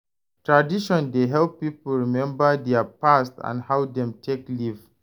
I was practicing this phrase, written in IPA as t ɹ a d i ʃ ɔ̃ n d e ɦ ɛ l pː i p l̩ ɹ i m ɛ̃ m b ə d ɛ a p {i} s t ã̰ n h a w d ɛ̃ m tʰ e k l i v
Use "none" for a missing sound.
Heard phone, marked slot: a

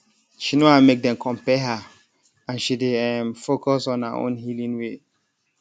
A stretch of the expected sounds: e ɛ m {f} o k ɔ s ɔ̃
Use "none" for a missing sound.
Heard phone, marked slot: f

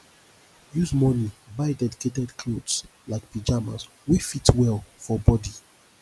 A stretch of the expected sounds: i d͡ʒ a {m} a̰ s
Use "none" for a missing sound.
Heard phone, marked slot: m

